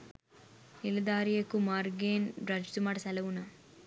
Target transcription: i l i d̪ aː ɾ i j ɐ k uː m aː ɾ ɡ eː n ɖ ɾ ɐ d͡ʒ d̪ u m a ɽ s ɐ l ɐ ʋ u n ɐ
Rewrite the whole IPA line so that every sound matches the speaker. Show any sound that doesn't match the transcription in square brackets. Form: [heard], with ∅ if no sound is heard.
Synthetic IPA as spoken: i l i d̪ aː ɾ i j ɐ k [u] m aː ɾ ɡ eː n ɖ ɾ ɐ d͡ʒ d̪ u m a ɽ s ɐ l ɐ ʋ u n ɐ